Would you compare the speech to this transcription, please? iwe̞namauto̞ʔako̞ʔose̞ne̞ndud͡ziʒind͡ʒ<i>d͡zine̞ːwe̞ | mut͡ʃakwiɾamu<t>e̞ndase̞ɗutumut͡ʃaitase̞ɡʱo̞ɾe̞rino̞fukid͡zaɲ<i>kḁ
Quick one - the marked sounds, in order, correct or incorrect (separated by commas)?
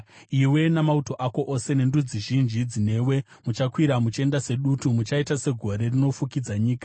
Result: correct, incorrect, incorrect